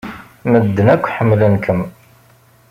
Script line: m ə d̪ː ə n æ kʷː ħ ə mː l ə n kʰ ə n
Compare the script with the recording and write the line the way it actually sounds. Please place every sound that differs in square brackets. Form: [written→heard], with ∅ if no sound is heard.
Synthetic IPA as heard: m ə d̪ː ə n æ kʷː ħ ə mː l ə n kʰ ə [n→m]